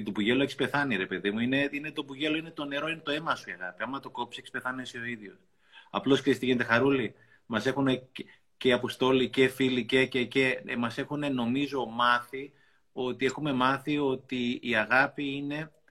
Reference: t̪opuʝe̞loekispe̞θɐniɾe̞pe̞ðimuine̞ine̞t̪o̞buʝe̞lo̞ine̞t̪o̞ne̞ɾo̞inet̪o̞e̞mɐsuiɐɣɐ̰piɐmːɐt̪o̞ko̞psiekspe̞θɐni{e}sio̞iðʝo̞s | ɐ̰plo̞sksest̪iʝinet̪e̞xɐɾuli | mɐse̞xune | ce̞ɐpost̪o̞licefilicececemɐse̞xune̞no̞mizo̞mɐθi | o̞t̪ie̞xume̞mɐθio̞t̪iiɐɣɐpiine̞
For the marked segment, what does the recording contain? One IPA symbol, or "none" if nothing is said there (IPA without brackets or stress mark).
e